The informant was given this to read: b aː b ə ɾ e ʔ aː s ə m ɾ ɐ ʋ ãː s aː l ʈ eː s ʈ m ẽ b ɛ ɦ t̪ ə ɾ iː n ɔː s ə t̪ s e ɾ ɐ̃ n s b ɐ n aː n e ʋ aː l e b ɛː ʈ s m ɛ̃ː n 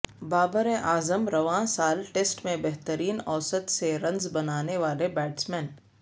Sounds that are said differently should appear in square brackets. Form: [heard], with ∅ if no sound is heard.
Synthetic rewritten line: b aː b ə ɾ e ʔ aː [z] ə m ɾ ɐ ʋ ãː s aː l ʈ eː s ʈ m ẽ b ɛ ɦ t̪ ə ɾ iː n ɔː s ə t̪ s e ɾ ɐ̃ n [z] b ɐ n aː n e ʋ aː l e b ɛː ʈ s m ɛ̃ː n

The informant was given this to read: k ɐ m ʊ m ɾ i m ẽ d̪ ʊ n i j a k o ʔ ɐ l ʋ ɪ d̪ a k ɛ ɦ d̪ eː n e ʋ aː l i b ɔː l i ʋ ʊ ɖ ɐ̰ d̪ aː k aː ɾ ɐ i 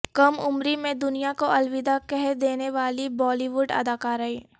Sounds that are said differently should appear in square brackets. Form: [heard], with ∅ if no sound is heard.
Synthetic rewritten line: k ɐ m ʊ m ɾ i m ẽ d̪ ʊ n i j a k o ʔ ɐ l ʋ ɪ d̪ a k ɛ ɦ d̪ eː n e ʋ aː l i b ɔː l i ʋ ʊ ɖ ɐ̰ d̪ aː k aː ɾ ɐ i

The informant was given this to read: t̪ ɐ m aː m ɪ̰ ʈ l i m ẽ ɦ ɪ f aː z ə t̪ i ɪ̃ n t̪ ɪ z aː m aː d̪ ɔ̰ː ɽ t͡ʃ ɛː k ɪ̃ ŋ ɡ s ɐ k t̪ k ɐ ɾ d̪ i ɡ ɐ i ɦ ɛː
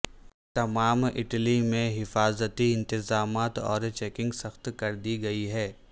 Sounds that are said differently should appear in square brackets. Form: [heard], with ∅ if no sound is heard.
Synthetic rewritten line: t̪ ɐ m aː m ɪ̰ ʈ l i m ẽ ɦ ɪ f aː z ə t̪ i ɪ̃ n t̪ ɪ z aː m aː [t̪] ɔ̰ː [ɾ] t͡ʃ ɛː k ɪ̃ ŋ ɡ s ɐ [x] t̪ k ɐ ɾ d̪ i ɡ ɐ i ɦ ɛː

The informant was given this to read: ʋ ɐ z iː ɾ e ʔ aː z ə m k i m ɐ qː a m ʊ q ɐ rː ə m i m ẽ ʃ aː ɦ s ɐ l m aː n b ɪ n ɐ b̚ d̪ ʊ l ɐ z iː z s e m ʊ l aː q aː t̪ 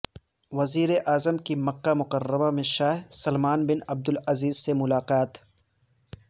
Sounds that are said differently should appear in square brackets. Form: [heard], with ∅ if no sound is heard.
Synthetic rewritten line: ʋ ɐ z iː ɾ e ʔ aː z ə m k i m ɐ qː a m ʊ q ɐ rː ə m [a] m ẽ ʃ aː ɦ s ɐ l m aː n b ɪ n ɐ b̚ d̪ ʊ l ɐ z iː z s e m ʊ l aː q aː t̪

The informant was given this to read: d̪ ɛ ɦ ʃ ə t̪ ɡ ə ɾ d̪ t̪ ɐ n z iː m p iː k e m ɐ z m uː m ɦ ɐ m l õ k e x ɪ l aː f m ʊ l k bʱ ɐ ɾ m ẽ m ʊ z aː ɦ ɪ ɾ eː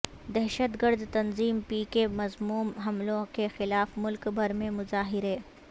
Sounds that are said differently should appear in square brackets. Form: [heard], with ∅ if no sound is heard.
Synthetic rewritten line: d̪ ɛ ɦ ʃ ə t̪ ɡ ə ɾ d̪ t̪ ɐ n z iː m p iː k e m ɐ z m uː m ɦ ɐ m l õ k e x ɪ l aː f m ʊ l k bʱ ɐ ɾ m ẽ m ʊ z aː ɦ ɪ ɾ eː

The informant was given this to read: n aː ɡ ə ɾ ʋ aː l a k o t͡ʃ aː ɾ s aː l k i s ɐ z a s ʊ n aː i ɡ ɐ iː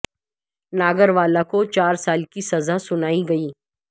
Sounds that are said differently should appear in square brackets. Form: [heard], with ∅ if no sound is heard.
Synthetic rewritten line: n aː ɡ ə ɾ ʋ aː l a k o t͡ʃ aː ɾ s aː l k i s ɐ z a s ʊ n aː i ɡ ɐ iː

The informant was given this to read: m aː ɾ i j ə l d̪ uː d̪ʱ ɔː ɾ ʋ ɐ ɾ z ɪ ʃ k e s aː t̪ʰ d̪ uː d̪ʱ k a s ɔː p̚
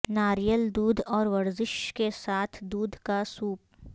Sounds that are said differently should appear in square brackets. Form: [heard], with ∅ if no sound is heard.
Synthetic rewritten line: [n] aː ɾ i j ə l d̪ uː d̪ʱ ɔː ɾ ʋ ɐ ɾ z ɪ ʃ k e s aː t̪ʰ d̪ uː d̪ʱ k a s [uː] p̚

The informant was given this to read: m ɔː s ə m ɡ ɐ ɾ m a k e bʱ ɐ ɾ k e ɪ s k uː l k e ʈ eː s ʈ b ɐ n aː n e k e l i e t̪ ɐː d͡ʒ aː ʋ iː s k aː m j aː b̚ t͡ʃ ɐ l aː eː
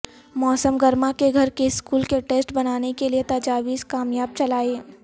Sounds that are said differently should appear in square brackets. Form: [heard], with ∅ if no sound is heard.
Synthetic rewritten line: m ɔː s ə m ɡ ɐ ɾ m a k e [ɡʱ] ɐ ɾ k e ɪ s k uː l k e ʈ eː s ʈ b ɐ n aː n e k e l i e t̪ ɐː d͡ʒ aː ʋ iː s k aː m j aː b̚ t͡ʃ ɐ l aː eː

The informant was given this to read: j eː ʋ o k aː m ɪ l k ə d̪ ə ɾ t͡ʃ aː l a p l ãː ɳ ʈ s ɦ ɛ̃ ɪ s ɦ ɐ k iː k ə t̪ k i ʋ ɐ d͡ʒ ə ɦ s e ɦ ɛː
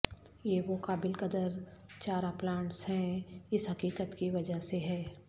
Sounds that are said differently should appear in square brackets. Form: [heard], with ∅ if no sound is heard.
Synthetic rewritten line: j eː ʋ o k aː [b] ɪ l k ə d̪ ə ɾ t͡ʃ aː [ɾ] a p l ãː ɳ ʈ s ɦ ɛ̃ ɪ s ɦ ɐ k iː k ə t̪ k i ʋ ɐ d͡ʒ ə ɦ s e ɦ ɛː

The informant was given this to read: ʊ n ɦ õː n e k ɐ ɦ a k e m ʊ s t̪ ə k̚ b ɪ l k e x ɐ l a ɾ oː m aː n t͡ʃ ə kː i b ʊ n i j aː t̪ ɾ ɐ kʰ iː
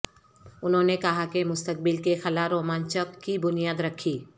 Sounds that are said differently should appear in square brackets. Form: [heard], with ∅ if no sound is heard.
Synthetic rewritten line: ʊ n ɦ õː n e k ɐ ɦ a k e m ʊ s t̪ ə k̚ b ɪ l k e x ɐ l a ɾ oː m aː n t͡ʃ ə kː i b ʊ n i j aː [d̪] ɾ ɐ kʰ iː

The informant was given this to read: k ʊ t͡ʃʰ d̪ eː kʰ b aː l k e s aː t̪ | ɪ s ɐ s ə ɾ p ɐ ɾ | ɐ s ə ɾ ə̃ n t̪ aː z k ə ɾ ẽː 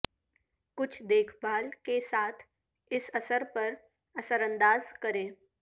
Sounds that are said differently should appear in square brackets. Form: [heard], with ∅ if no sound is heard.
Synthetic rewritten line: k ʊ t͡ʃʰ d̪ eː kʰ b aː l k e s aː [t̪ʰ] | ɪ s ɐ s ə ɾ p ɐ ɾ | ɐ s ə ɾ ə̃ n [d̪] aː z k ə ɾ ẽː

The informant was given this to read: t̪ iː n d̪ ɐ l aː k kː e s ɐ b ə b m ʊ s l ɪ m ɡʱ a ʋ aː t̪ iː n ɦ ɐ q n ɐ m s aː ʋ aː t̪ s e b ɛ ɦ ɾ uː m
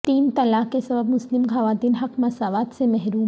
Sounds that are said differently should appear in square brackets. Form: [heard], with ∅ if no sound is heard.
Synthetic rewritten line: t̪ iː n [t̪] ɐ l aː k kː e s ɐ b ə b m ʊ s l ɪ m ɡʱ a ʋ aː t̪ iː n ɦ ɐ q [m] ɐ [∅] s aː ʋ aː t̪ s e [m] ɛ ɦ ɾ uː m

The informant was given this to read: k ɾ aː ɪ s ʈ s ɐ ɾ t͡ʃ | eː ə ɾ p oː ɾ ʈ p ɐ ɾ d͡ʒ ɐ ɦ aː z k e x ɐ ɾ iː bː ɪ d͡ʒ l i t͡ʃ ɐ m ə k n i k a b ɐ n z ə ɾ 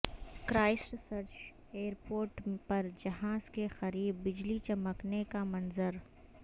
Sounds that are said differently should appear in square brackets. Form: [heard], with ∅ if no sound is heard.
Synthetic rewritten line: k ɾ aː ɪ s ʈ s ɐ ɾ t͡ʃ | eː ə ɾ p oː ɾ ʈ p ɐ ɾ d͡ʒ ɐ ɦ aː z k e x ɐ ɾ iː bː ɪ d͡ʒ l i t͡ʃ ɐ m ə k n [e] k a [m] ɐ n z ə ɾ

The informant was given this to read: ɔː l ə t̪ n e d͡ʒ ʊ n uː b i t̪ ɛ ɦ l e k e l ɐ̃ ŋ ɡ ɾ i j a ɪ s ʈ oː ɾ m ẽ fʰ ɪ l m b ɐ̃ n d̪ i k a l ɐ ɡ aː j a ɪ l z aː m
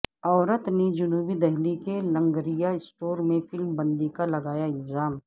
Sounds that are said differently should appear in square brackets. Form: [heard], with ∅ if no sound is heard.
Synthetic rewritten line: ɔː [ɾ] ə t̪ n e d͡ʒ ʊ n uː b i [d̪] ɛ ɦ l [i] k e l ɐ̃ ŋ ɡ ɾ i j a ɪ s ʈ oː ɾ m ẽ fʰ ɪ l m b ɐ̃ n d̪ i k a l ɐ ɡ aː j a ɪ l z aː m

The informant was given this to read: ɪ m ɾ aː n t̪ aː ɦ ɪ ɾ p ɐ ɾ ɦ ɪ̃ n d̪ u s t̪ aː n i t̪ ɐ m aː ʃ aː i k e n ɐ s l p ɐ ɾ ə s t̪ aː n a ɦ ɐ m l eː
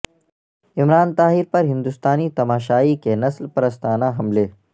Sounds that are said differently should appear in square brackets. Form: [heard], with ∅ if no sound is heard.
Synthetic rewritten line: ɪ m ɾ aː n t̪ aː ɦ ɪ ɾ p ɐ ɾ ɦ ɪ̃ n d̪ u s t̪ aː n i t̪ ɐ m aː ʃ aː i k e n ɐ s l p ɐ ɾ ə s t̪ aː n a ɦ ɐ m l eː

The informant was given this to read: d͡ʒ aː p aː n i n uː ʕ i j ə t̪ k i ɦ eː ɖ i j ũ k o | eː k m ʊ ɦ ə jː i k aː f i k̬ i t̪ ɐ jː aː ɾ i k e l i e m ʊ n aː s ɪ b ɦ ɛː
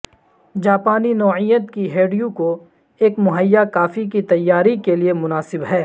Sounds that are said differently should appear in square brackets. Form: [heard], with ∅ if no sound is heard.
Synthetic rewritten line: d͡ʒ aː p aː n i n [ɔː] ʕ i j ə t̪ k i ɦ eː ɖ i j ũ k o | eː k m ʊ ɦ ə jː [a] k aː f i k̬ i t̪ ɐ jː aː ɾ i k e l i e m ʊ n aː s ɪ b ɦ ɛː

